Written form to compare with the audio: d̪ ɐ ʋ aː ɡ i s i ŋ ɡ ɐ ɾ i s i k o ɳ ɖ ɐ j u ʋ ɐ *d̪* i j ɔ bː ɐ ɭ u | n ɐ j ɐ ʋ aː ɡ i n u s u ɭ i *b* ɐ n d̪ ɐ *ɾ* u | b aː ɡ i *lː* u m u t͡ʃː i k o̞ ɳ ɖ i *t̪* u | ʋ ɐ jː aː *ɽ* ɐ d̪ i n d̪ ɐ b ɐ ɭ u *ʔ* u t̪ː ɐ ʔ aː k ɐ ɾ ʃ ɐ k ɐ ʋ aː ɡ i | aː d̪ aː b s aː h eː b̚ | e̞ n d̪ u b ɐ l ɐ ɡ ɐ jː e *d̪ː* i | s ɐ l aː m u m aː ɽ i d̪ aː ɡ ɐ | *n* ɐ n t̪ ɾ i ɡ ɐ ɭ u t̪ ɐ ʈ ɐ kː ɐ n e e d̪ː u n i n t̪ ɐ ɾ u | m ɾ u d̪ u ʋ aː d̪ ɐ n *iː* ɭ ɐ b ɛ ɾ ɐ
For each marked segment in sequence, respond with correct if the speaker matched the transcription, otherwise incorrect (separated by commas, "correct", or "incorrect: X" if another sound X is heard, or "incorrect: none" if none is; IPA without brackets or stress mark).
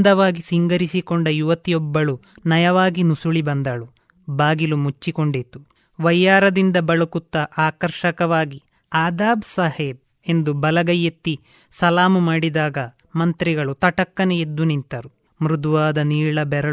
incorrect: t̪, correct, incorrect: ɭ, incorrect: l, correct, incorrect: ɾ, incorrect: k, incorrect: t̪ː, incorrect: m, correct